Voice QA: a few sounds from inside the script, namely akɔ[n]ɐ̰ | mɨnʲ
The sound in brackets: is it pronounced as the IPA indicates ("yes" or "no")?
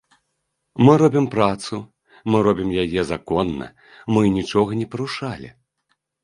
no